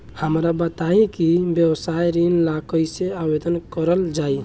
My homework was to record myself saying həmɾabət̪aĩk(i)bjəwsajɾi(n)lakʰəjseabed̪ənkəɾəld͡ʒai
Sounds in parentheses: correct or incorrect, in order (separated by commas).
correct, correct